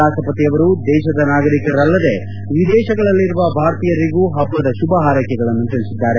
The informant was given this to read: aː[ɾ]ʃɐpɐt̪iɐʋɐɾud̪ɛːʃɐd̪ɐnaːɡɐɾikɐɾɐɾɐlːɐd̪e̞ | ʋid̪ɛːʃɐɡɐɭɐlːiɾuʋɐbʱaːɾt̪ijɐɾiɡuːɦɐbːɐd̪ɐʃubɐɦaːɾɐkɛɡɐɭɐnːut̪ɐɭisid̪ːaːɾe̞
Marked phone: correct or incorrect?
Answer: incorrect